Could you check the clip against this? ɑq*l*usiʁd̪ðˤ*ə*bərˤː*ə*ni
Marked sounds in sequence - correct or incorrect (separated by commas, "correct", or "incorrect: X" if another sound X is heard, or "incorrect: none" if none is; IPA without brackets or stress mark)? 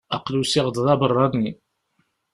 correct, incorrect: ɑ, incorrect: ɑ